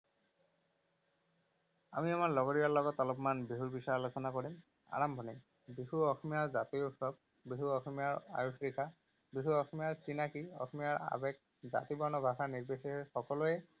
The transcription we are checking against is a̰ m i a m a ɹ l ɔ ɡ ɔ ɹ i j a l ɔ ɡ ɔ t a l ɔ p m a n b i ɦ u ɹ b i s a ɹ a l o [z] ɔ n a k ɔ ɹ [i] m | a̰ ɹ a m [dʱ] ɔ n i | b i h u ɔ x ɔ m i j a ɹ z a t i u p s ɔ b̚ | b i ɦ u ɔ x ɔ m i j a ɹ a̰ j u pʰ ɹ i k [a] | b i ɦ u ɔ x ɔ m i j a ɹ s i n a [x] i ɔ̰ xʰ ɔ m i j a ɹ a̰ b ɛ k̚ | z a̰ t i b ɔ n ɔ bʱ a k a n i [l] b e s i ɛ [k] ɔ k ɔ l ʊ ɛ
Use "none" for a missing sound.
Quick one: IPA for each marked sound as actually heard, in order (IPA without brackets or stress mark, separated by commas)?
s, i, bʱ, a, k, ɹ, x